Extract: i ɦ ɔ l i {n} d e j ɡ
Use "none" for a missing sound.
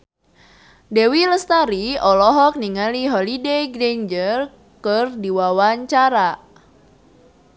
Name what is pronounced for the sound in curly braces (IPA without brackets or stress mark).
none